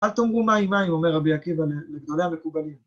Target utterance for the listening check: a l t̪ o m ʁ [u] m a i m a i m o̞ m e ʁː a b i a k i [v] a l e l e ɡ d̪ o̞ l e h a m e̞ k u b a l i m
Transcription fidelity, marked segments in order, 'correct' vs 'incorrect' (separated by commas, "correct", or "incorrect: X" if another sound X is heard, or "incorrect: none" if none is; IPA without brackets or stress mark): correct, correct